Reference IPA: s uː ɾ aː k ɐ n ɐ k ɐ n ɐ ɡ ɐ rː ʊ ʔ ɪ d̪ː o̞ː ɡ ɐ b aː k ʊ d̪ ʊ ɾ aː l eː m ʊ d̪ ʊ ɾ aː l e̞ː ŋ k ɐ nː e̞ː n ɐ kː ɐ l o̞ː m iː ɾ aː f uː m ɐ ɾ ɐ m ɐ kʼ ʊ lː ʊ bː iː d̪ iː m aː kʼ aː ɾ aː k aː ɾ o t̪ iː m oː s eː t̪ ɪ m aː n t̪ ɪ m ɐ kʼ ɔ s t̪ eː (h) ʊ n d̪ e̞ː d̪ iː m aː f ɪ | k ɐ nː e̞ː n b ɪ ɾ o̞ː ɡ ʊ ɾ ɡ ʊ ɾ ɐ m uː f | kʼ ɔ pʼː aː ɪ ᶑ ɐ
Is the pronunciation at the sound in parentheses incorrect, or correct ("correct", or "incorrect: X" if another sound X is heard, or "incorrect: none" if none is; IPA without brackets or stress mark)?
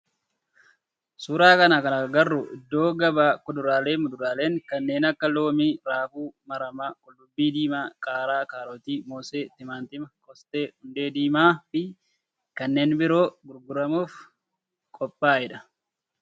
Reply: correct